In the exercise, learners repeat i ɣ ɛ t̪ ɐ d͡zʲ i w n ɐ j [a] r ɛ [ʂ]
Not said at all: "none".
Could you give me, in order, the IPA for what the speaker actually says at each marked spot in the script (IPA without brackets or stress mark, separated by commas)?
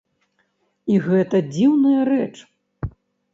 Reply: ɐ, t͡ʂ